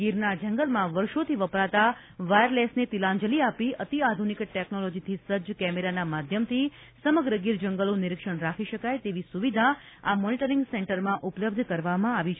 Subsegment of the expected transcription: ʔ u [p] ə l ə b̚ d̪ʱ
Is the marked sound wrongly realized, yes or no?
no